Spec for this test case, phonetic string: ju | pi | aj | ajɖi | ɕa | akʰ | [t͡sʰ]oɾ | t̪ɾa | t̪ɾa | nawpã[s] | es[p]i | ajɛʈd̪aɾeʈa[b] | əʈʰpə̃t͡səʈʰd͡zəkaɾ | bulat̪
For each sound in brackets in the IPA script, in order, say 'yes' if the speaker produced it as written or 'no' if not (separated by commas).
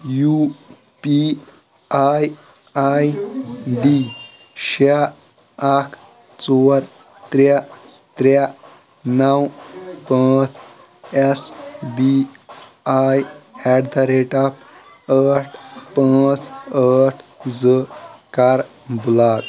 no, no, no, no